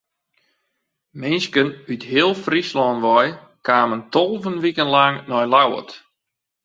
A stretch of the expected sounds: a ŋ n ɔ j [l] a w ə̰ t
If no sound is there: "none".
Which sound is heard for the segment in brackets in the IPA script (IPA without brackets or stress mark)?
l